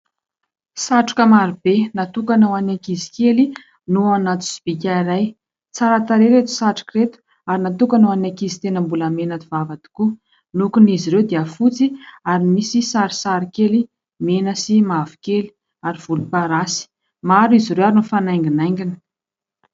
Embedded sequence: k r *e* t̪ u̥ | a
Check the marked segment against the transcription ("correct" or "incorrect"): correct